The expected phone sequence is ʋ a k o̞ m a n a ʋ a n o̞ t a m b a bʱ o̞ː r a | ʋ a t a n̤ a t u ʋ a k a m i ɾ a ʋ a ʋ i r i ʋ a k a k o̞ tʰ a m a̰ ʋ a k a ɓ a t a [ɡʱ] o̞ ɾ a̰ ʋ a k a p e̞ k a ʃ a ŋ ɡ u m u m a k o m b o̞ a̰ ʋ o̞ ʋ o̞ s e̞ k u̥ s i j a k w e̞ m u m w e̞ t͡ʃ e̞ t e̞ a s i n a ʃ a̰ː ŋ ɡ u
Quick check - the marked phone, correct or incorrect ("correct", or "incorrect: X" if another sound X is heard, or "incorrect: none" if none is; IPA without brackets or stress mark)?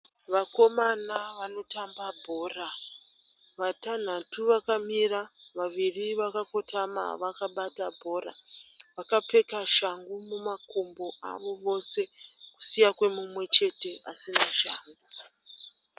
incorrect: bʱ